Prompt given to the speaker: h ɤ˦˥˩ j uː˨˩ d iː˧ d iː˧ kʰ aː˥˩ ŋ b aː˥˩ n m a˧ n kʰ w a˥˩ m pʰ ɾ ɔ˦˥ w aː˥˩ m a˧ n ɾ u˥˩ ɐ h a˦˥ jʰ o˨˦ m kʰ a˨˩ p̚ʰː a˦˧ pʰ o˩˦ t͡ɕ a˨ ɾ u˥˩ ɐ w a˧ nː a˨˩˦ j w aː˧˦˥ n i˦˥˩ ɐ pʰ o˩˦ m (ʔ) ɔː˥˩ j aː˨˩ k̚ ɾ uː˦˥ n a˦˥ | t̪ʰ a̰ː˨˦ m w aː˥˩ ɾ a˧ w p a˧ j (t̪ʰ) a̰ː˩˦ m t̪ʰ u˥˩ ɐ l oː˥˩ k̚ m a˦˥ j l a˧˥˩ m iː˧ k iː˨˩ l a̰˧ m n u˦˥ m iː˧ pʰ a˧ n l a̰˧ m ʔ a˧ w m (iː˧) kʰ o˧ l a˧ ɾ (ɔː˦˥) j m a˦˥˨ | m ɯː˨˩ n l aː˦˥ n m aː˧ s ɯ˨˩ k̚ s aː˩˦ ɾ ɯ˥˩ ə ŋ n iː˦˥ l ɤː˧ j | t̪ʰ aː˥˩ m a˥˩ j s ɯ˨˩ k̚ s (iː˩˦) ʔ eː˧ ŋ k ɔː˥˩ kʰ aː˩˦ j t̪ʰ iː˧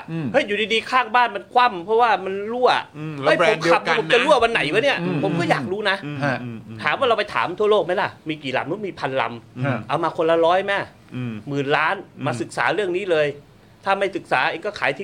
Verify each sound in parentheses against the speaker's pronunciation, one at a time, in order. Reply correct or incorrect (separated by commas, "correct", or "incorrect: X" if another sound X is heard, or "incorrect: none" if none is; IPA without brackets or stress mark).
incorrect: k, correct, incorrect: aː˧, correct, incorrect: aː˩˦